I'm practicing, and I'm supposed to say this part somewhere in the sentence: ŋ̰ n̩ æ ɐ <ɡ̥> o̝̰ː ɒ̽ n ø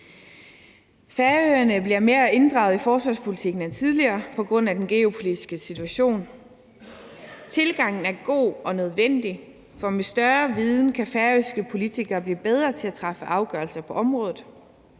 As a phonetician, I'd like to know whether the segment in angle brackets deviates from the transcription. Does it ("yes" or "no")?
no